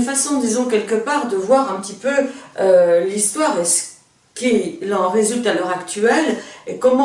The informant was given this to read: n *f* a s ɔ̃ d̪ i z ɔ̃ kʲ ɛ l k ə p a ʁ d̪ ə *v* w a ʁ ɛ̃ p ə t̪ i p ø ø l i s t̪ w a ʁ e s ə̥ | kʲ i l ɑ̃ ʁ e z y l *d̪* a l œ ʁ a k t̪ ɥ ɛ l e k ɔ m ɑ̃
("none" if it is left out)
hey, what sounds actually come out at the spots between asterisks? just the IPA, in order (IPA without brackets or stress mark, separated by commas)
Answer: f, v, t̪